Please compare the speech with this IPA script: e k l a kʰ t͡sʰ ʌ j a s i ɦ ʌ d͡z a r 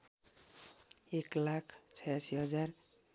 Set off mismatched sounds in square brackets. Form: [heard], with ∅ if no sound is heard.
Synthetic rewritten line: e k l a kʰ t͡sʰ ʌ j a s i ɦ ʌ d͡z a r